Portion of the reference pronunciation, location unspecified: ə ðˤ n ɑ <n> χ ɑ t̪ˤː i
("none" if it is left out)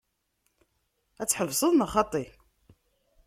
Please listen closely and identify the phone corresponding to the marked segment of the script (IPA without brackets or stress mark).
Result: none